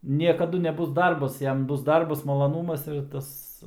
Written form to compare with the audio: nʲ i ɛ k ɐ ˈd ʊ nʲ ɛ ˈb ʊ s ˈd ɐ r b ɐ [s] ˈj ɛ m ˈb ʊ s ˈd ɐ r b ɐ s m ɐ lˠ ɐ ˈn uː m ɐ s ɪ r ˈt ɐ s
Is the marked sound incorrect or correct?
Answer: correct